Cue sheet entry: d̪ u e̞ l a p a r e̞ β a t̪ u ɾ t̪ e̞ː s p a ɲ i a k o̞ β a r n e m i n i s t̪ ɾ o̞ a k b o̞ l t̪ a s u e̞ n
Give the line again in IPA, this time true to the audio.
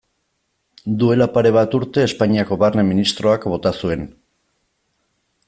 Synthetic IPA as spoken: d̪ u e̞ l a p a ɾ e̞ β a t̪ u ɾ t̪ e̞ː s p a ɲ i a k o̞ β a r n e m i n i s t̪ ɾ o̞ a k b o̞ t̪ a s u e̞ n